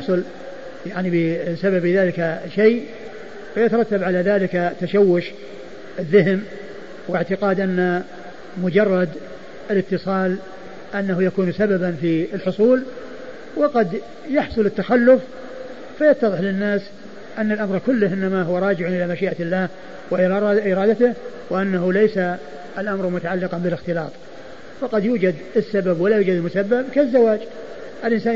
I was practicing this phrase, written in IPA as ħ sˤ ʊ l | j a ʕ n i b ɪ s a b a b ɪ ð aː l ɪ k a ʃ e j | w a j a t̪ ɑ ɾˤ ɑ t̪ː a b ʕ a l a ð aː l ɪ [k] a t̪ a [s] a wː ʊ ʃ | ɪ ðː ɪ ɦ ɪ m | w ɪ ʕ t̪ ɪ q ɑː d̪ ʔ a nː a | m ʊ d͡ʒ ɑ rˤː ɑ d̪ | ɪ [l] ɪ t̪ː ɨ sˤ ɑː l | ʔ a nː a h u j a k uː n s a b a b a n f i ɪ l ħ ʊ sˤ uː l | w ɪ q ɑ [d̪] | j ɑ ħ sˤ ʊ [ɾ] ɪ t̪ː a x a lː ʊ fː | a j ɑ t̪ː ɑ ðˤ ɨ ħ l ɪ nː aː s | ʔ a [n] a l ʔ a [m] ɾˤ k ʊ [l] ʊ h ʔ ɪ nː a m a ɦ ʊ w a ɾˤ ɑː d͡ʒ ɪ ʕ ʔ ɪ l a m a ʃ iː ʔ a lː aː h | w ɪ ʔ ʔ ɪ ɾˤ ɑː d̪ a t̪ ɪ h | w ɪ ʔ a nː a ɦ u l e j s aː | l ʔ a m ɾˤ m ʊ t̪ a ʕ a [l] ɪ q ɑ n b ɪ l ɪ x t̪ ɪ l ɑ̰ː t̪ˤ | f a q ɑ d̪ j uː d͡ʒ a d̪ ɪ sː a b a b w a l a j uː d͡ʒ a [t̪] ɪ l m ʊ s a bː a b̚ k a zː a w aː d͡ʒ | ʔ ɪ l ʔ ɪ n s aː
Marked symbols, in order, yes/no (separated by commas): yes, no, yes, yes, no, no, yes, no, no, no